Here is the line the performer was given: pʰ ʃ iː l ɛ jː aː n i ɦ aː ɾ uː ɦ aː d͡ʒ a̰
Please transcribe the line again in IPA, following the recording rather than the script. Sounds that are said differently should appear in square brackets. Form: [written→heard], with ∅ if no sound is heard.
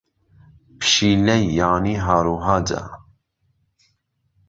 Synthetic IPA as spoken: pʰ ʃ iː l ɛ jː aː n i ɦ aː ɾ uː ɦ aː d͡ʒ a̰